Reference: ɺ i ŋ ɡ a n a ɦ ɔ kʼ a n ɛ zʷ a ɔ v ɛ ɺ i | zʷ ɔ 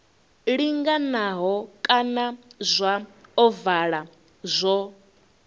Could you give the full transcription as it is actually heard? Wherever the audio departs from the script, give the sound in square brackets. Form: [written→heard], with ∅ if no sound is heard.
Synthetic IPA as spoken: ɺ i ŋ ɡ a n a ɦ ɔ kʼ a n [ɛ→a] zʷ a ɔ v [ɛ→a] ɺ [i→a] | zʷ ɔ